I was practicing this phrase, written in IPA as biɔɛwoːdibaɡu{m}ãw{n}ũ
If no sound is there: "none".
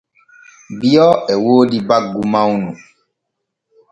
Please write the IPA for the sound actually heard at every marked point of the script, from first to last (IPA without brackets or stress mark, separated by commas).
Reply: m, n